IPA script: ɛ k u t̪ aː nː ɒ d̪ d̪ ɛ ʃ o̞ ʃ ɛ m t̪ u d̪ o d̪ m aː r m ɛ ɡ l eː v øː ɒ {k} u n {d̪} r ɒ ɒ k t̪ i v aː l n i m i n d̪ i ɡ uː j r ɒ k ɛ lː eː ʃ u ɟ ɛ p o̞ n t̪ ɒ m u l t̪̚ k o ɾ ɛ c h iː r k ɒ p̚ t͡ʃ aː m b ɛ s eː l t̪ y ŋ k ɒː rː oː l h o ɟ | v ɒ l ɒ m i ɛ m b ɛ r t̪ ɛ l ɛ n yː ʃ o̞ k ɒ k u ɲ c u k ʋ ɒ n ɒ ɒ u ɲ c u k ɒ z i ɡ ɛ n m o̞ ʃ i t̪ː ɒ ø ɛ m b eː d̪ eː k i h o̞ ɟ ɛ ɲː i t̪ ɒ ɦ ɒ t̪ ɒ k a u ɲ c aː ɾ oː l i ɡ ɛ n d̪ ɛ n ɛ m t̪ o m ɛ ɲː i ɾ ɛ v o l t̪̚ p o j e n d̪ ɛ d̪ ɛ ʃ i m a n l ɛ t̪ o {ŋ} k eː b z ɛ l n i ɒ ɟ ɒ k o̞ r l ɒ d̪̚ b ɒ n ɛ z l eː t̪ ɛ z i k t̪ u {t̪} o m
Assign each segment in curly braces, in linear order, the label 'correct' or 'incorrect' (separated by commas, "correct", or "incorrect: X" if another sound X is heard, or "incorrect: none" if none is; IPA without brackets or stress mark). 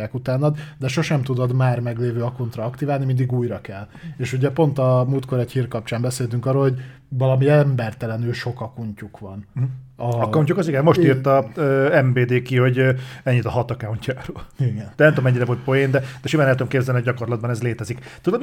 correct, incorrect: t̪, incorrect: m, incorrect: d̪